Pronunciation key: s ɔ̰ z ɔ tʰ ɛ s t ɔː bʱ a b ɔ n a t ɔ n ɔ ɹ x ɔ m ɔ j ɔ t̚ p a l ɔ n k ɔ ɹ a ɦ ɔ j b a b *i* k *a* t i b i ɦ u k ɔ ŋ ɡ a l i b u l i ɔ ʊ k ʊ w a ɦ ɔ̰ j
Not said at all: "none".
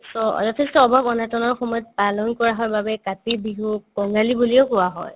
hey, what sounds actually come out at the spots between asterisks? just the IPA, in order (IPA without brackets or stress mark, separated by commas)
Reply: ɛ, a